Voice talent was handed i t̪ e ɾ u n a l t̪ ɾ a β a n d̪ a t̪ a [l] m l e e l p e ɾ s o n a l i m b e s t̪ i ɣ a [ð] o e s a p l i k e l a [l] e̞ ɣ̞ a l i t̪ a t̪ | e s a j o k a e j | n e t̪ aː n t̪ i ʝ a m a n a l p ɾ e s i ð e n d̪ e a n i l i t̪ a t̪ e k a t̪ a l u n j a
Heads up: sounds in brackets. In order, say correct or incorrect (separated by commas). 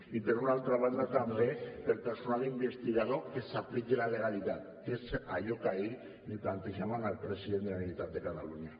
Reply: incorrect, correct, correct